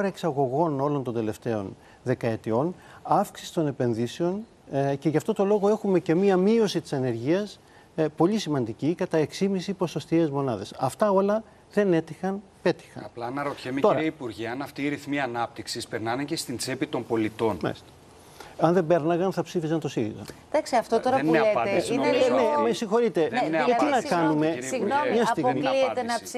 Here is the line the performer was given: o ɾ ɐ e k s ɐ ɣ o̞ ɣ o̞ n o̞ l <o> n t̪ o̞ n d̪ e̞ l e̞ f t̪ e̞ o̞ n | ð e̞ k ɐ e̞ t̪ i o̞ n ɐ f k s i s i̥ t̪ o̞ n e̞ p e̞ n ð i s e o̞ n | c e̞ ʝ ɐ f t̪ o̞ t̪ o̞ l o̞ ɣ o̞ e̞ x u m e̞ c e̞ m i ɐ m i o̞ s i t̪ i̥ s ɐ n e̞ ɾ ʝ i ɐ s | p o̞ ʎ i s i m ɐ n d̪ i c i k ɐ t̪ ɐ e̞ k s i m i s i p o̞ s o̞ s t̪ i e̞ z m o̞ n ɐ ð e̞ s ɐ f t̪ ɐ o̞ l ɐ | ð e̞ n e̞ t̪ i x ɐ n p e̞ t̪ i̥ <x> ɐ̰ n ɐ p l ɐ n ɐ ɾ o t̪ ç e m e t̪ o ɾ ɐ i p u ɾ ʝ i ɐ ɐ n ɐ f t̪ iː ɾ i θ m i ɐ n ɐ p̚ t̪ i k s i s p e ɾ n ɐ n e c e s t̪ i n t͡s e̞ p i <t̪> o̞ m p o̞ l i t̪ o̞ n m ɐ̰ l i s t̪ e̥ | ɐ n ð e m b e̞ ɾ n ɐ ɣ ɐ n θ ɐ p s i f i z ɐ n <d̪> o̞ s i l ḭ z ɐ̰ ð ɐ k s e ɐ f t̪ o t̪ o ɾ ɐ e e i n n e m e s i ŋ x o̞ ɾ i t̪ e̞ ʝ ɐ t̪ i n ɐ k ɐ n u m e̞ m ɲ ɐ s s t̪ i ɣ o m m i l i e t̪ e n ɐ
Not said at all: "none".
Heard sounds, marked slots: o, x, t̪, t̪

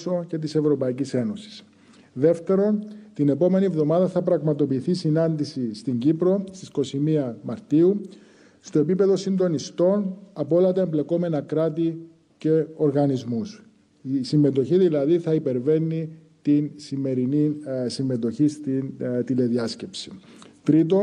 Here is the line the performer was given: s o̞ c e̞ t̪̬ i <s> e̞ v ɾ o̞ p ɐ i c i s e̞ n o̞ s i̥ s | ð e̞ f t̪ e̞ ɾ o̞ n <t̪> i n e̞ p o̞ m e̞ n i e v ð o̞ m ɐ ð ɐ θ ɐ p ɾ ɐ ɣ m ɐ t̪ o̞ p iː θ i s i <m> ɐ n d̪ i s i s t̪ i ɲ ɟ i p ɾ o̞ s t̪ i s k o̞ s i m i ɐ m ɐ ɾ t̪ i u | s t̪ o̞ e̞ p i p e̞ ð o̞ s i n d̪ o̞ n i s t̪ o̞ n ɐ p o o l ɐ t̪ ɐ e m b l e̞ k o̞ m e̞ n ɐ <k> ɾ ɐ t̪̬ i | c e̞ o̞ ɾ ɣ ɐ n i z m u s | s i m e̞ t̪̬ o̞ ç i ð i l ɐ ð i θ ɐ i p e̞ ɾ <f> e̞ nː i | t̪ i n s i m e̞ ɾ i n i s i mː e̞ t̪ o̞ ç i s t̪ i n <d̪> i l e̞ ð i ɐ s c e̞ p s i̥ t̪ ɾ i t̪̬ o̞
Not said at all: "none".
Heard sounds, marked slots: s, t̪, n, k, v, t̪

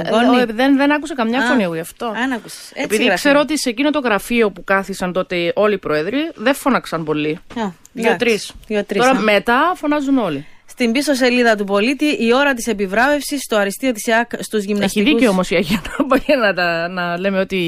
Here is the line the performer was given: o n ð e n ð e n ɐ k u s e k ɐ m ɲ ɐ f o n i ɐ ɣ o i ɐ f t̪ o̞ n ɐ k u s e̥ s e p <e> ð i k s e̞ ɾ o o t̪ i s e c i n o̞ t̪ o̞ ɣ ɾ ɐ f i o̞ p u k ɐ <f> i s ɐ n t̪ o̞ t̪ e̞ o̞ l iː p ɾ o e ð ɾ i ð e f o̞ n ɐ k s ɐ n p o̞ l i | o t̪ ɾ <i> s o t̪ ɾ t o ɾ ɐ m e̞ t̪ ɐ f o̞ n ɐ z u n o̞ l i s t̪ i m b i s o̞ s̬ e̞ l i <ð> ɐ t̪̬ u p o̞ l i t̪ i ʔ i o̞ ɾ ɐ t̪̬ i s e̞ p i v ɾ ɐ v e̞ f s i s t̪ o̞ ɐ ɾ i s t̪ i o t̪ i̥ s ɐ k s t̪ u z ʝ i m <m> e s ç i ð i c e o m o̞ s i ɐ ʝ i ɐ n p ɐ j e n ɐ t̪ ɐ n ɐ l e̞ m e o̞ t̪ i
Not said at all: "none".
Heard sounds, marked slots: i, θ, i, ð, n

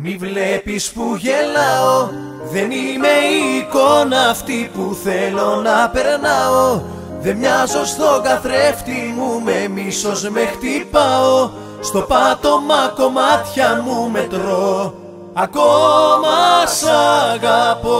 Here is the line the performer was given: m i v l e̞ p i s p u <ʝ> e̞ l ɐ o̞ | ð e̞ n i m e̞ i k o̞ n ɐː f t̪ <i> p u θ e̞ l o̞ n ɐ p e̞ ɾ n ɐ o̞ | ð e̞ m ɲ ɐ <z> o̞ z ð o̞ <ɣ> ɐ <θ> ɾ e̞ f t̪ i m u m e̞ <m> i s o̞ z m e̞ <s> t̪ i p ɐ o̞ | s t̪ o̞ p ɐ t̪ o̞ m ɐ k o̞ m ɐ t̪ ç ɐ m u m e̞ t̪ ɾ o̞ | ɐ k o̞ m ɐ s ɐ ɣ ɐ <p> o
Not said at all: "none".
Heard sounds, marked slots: ʝ, i, z, ɣ, θ, m, x, p

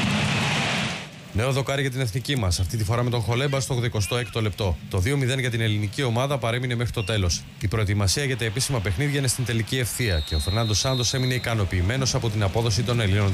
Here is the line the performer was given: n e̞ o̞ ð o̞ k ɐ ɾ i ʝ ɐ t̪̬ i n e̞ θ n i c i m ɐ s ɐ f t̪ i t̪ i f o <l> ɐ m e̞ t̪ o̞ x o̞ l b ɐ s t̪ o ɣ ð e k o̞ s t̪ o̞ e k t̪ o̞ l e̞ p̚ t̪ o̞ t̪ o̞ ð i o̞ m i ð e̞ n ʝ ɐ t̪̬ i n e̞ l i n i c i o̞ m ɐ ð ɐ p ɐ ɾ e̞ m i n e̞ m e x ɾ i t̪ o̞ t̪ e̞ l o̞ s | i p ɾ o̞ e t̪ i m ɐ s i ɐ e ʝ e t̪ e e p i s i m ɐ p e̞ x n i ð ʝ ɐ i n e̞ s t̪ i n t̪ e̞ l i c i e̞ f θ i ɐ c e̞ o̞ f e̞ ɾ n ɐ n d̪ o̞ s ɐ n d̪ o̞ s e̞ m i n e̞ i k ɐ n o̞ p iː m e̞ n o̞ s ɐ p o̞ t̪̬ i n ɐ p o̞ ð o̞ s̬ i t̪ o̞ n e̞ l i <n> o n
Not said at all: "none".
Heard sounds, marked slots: ɾ, n

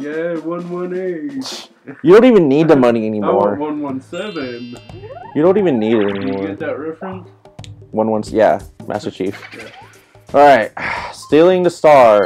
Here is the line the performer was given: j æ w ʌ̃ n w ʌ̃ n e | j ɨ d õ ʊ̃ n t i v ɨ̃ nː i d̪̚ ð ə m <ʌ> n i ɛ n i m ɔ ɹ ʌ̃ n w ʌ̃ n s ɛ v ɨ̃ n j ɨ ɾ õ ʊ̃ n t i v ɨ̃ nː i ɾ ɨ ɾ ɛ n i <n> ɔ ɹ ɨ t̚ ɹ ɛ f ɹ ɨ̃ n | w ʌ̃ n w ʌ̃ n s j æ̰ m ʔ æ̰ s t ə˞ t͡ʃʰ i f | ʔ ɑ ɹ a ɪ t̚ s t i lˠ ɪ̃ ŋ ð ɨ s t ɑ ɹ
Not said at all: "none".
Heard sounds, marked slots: ʌ, m

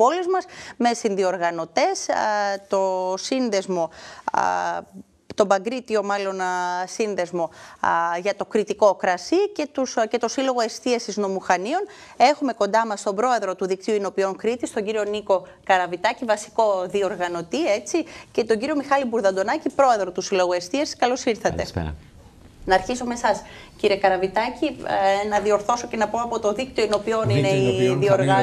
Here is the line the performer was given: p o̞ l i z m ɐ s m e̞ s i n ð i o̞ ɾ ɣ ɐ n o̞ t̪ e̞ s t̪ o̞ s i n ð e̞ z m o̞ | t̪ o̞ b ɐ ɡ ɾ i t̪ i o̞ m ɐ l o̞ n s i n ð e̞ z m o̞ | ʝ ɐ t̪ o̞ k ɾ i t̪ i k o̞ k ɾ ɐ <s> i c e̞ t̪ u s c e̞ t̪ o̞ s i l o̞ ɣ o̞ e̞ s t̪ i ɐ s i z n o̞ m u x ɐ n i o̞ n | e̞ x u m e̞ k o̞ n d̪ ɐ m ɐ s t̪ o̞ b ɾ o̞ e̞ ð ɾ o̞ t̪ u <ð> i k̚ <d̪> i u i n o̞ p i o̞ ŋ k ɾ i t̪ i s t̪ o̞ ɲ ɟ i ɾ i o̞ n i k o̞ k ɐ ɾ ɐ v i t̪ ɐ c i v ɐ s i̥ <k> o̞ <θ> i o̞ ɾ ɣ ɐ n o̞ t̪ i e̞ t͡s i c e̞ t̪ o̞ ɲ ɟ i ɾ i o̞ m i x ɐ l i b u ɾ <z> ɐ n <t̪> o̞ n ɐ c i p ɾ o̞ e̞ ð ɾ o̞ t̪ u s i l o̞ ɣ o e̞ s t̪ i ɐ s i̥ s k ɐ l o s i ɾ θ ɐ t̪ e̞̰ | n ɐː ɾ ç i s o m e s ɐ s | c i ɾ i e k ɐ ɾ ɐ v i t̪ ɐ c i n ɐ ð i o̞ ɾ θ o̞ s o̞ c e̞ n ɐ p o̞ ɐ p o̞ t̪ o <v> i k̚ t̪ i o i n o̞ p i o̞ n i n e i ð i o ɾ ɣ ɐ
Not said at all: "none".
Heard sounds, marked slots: s, ð, t̪, k, ð, ð, d̪, ð

